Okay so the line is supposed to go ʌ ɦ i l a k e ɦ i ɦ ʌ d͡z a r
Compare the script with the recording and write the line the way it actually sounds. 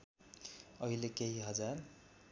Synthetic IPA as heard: ʌ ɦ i l e k e ɦ i ɦ ʌ d͡z a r

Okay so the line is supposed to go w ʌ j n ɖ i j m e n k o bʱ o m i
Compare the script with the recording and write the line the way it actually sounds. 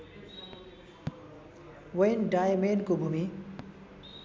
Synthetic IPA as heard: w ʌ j n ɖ a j m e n k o bʱ u m i

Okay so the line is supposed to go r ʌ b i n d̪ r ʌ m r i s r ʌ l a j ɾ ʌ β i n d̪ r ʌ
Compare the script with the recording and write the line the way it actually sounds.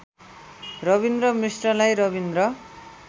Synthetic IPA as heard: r ʌ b i n d̪ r ʌ m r i s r ʌ l a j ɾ ʌ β i n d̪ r ʌ

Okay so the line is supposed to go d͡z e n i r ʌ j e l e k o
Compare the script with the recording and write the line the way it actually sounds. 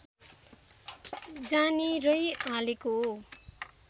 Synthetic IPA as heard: d͡z a n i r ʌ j a l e k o

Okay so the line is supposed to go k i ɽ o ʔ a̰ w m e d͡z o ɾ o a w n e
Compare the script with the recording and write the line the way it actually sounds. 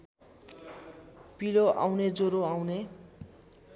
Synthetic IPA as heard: p i l o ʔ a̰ w n e d͡z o ɾ o a w n e

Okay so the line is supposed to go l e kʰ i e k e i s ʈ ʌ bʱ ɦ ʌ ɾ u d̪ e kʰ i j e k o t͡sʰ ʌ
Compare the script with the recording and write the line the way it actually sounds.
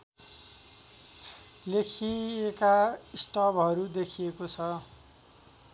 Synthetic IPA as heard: l e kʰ i e k a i s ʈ ʌ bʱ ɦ ʌ ɾ u d̪ e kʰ i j e k o t͡sʰ ʌ

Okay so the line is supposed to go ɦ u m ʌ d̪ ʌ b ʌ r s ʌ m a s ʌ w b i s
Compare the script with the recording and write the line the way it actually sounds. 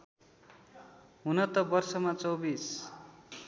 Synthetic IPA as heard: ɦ u n ʌ t̪ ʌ b ʌ r s ʌ m a t͡s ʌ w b i s

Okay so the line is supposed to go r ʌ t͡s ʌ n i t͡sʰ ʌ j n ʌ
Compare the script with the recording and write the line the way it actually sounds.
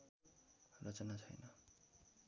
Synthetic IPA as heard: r ʌ t͡s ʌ n a t͡sʰ ʌ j n ʌ

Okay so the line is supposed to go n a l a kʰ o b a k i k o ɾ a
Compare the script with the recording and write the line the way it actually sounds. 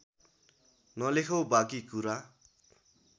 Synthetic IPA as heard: n ʌ l e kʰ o b a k i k u ɾ a

